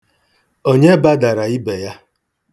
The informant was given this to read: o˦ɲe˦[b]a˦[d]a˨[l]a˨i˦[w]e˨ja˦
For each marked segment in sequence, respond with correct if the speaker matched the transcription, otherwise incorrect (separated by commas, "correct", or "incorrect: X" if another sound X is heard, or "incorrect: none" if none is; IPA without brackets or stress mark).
correct, correct, incorrect: ɾ, incorrect: b